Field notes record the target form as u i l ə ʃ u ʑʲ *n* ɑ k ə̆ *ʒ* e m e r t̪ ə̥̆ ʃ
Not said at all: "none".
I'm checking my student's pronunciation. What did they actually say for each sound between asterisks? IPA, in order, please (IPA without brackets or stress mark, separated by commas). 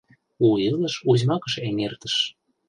m, ʃ